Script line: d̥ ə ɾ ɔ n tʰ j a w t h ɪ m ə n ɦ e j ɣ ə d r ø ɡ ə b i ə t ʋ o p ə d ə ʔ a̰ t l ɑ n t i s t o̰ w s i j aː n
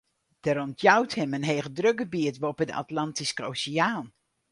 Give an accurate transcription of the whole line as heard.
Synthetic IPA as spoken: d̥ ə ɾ ɔ n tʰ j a w t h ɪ m ə n ɦ e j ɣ ə d r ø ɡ ə b i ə t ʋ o p ə d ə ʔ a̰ t l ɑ n t i s k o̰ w s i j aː n